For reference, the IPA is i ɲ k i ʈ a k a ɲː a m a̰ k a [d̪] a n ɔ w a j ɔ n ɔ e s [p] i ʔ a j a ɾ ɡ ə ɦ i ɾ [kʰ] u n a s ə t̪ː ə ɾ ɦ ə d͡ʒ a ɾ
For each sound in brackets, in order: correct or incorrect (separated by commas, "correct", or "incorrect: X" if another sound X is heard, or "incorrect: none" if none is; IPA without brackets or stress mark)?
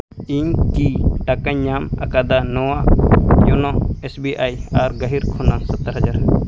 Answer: correct, incorrect: b, correct